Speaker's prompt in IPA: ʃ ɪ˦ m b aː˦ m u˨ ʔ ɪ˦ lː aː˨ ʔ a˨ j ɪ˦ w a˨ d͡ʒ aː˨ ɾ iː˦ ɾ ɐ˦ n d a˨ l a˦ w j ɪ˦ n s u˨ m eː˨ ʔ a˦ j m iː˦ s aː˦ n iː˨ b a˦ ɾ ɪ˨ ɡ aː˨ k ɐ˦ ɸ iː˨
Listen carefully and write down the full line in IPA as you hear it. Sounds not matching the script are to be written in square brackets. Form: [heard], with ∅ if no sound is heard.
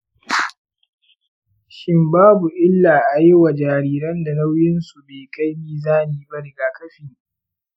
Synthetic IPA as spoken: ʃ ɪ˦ m b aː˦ [b] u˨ ʔ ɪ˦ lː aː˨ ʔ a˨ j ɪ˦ w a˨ d͡ʒ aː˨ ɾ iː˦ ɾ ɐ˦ n d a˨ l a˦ w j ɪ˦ n s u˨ [b] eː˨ [k] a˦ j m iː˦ [z] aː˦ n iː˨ b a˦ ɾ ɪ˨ ɡ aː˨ k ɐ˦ ɸ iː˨

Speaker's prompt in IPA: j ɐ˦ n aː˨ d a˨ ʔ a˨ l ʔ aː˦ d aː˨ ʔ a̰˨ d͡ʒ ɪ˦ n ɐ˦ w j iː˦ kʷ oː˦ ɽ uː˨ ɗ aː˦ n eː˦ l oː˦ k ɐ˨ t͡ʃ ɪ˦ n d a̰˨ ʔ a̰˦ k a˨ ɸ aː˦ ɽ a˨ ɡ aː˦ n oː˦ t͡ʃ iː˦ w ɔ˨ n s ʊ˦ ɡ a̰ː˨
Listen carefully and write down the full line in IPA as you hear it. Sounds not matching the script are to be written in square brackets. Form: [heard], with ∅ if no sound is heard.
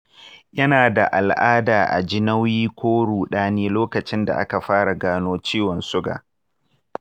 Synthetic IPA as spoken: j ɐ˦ n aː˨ d a˨ ʔ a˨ l ʔ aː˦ d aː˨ ʔ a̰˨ d͡ʒ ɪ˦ n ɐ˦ w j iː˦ kʷ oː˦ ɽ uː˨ ɗ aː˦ n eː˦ l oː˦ k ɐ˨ t͡ʃ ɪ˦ n d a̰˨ ʔ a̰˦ k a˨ ɸ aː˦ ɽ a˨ ɡ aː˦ n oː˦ t͡ʃ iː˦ w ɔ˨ n s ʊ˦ ɡ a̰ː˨

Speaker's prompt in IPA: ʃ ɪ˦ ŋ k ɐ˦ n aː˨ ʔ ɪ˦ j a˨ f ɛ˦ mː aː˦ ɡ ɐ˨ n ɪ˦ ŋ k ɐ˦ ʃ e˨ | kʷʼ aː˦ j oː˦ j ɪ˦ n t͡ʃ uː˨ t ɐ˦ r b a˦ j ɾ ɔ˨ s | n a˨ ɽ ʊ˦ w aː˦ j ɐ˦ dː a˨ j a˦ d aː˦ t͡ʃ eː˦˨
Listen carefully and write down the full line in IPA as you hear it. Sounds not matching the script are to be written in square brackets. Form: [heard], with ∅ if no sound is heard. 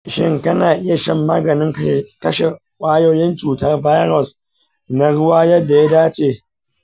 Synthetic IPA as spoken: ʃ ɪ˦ ŋ k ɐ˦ n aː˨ ʔ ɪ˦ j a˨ [ʃ] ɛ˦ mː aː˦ ɡ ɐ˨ n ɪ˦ ŋ k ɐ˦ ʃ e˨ | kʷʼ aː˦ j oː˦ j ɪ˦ n t͡ʃ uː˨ t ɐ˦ r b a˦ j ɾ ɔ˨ s | n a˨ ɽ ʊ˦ w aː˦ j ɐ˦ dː a˨ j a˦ d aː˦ t͡ʃ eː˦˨

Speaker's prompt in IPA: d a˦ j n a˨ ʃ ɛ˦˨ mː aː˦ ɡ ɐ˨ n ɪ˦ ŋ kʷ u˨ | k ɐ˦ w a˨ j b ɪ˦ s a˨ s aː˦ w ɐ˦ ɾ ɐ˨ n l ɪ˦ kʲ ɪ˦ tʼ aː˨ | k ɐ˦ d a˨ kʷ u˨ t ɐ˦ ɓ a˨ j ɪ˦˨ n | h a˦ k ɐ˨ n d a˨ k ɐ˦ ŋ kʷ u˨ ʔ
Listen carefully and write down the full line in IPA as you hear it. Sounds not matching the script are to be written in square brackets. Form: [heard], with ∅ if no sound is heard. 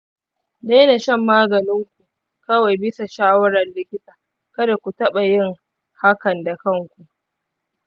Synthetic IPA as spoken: d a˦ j n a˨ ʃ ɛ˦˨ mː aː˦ ɡ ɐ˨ n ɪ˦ ŋ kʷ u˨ | k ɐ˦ w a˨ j b ɪ˦ s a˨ [ʃ] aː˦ w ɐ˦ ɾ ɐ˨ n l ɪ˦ kʲ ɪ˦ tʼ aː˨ | k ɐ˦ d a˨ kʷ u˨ t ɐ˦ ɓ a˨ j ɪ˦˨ [ŋ] | h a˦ k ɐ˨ n d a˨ k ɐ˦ ŋ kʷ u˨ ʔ

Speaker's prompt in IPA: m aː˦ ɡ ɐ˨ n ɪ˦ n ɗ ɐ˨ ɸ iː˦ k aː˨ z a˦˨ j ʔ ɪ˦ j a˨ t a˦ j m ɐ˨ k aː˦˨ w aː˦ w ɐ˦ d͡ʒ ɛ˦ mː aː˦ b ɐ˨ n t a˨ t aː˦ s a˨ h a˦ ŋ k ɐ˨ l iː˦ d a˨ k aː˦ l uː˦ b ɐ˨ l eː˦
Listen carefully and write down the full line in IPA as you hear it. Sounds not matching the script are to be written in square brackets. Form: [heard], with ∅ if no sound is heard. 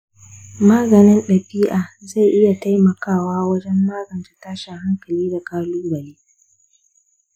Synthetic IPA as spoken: m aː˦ ɡ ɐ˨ n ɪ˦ n ɗ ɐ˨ ɸ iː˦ [ʔ] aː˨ z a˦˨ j ʔ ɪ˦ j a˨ t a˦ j m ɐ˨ k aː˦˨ w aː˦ w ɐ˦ d͡ʒ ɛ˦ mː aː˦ [ɡ] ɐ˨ n t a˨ t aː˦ [ʃ] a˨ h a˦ ŋ k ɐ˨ l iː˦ d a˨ k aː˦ l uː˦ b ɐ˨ l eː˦

